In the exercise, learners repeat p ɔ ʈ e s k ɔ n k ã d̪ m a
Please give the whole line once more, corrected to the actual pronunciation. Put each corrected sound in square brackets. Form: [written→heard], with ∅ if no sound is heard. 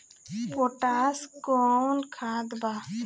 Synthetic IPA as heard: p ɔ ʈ [e→a] s k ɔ n [k→kʰ] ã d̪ [m→b] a

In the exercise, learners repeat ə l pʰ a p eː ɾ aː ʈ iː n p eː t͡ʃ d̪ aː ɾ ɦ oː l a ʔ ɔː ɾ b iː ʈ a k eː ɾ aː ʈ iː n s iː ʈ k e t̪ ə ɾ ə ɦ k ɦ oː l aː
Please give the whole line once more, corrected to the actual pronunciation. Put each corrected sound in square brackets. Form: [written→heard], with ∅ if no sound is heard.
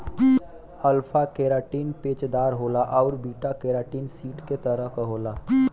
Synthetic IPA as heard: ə l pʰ a [p→k] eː ɾ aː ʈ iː n p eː t͡ʃ d̪ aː ɾ ɦ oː l a ʔ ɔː ɾ b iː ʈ a k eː ɾ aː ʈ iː n s iː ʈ k e t̪ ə ɾ ə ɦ k ɦ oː l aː

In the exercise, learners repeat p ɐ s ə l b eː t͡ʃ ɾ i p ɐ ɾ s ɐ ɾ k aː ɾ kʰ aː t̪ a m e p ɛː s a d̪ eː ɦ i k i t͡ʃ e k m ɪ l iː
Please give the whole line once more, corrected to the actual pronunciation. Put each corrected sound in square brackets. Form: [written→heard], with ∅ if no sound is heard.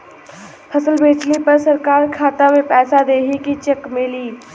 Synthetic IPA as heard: [p→pʰ] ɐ s ə l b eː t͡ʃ [ɾ→l] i p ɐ ɾ s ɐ ɾ k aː ɾ kʰ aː t̪ a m e p ɛː s a d̪ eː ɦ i k i t͡ʃ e k m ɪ l iː

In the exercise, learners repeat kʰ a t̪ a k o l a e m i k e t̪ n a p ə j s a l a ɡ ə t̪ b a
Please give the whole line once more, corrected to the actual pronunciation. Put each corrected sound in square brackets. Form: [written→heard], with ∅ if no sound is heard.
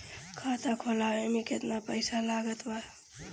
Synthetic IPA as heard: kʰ a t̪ a [k→kʰ] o l a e m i k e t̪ n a p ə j s a l a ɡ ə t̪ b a

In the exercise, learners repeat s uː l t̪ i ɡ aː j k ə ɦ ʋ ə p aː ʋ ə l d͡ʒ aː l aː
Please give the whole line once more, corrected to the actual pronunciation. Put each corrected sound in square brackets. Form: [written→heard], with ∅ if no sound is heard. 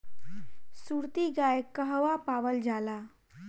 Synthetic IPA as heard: s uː [l→ɾ] t̪ i ɡ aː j k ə ɦ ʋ [ə→a] p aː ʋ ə l d͡ʒ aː l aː

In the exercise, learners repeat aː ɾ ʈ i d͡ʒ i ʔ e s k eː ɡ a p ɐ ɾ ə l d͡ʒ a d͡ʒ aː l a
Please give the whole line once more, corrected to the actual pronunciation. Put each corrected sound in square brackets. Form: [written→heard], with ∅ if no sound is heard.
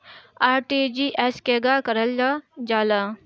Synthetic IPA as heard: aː ɾ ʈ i d͡ʒ i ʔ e s k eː ɡ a [p→k] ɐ ɾ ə l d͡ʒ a d͡ʒ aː l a

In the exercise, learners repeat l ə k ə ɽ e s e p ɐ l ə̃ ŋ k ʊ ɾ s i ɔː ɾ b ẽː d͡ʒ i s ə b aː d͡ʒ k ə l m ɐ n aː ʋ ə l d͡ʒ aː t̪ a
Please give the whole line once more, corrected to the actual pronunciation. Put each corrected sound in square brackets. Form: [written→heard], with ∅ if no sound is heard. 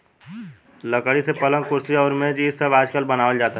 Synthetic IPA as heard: l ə k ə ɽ [e→i] s e p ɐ l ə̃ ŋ k ʊ ɾ s i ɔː ɾ [b→m] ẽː d͡ʒ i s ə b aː d͡ʒ k ə l [m→b] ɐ n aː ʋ ə l d͡ʒ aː t̪ a

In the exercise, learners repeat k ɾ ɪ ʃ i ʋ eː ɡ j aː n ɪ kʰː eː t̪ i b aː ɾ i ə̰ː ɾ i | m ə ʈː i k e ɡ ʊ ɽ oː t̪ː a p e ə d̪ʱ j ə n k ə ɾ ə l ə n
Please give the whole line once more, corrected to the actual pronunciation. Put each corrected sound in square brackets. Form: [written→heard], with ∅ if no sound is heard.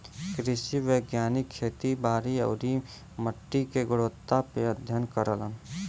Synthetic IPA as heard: k ɾ ɪ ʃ i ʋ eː ɡ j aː n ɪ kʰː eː t̪ i b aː ɾ i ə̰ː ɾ i | m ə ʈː i k e ɡ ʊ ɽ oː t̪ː a p e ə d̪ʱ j ə n k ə ɾ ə l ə n

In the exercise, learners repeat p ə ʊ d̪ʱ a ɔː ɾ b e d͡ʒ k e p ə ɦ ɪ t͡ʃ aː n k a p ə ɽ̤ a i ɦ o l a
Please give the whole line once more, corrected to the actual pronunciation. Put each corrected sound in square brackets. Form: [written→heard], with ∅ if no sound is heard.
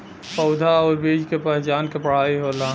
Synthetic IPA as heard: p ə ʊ d̪ʱ a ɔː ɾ b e d͡ʒ k e p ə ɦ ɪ t͡ʃ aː n k [a→e] p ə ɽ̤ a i ɦ o l a

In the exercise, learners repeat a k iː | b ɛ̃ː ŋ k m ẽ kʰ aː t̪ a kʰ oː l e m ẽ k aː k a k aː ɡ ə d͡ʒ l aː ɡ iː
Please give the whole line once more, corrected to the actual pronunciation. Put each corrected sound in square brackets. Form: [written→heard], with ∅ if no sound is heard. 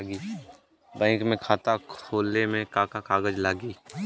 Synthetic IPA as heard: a [k→ɡ] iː | b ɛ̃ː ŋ k m ẽ kʰ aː t̪ a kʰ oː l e m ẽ k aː k a k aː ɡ ə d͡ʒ l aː ɡ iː

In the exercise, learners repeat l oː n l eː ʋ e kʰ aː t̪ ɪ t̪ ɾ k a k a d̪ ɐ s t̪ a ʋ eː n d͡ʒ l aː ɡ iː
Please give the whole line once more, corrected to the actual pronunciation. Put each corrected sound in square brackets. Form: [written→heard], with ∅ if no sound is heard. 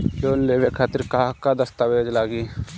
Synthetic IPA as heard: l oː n l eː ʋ e kʰ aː t̪ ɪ [t̪→∅] ɾ k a k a d̪ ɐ s t̪ a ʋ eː [n→∅] d͡ʒ l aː ɡ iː

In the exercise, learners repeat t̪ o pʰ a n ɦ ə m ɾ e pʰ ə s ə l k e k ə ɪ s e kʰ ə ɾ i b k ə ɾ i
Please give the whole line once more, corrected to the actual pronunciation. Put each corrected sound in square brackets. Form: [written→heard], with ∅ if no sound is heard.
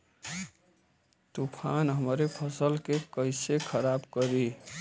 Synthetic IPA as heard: t̪ [o→u] pʰ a n ɦ ə m ɾ e pʰ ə s ə l k e k ə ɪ s e kʰ ə ɾ [i→a] b k ə ɾ i

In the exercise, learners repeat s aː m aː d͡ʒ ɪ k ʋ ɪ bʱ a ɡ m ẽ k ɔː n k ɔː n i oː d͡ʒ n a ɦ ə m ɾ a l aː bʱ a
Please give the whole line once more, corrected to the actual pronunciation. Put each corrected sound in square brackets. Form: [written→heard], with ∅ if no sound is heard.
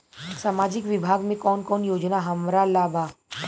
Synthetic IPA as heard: s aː m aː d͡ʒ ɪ k ʋ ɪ bʱ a ɡ m ẽ k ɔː n k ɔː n [i→j] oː d͡ʒ n a ɦ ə m ɾ a l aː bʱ a

